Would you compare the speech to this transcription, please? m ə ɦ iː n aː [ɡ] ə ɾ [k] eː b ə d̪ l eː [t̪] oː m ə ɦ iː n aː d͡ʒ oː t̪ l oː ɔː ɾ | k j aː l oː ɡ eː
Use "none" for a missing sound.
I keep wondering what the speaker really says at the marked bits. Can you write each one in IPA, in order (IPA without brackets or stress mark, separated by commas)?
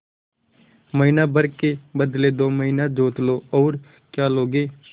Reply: b, k, d̪